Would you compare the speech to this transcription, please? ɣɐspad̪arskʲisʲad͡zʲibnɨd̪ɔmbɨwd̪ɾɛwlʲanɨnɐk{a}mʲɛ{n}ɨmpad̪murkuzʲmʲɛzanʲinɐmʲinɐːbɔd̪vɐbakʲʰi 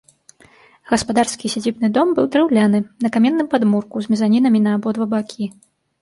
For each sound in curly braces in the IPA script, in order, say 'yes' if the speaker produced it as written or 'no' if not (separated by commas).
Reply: yes, no